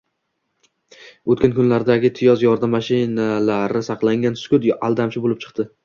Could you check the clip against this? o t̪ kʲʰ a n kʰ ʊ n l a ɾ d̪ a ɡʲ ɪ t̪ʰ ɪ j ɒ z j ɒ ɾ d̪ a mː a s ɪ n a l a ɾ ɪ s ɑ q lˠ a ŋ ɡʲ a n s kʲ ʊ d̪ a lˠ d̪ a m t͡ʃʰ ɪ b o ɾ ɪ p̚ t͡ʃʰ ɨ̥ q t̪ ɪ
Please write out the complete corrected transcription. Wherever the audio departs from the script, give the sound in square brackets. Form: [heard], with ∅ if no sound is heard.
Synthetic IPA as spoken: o t̪ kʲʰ a n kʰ ʊ n l a ɾ d̪ a ɡʲ ɪ t̪ʰ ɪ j ɒ z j ɒ ɾ d̪ a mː a [ʃ] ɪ n a l a ɾ ɪ s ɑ q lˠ a ŋ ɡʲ a n s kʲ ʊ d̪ a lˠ d̪ a m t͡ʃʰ ɪ b o [l] ɪ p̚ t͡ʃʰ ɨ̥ q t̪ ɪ